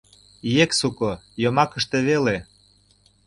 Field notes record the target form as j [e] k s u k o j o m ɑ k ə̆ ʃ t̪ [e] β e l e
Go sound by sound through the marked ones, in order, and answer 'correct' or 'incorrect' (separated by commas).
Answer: correct, correct